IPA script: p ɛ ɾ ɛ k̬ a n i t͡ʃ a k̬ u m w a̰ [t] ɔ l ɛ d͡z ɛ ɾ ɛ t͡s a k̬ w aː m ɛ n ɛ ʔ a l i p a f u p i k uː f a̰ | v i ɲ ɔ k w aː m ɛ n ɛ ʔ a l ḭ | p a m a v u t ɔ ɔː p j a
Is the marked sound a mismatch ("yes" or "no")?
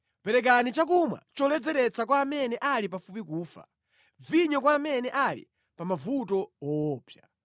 yes